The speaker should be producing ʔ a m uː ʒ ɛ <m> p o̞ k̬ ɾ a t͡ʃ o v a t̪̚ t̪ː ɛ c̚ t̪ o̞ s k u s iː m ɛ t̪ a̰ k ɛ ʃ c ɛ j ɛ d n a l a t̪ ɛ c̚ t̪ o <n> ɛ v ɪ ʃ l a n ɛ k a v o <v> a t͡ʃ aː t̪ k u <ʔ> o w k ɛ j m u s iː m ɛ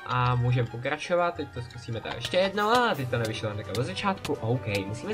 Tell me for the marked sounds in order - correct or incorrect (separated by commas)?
correct, correct, incorrect, correct